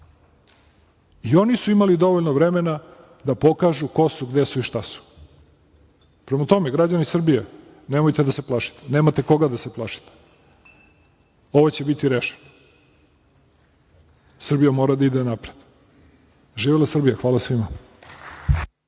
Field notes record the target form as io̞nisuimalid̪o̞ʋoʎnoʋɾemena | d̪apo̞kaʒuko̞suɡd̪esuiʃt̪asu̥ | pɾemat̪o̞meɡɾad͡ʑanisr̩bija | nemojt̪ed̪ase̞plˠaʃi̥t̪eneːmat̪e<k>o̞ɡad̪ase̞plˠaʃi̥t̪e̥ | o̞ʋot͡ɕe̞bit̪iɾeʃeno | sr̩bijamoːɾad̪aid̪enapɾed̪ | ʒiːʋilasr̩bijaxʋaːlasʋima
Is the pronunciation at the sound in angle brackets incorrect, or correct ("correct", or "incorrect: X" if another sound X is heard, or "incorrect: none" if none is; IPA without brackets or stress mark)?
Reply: correct